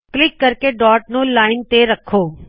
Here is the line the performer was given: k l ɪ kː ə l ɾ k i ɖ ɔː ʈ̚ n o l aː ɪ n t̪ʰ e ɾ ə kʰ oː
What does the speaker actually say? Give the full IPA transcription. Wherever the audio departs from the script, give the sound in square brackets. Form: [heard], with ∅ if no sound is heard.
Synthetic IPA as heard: k l ɪ kː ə [∅] ɾ k [e] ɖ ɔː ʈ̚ n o l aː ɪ n [t̪] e ɾ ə kʰ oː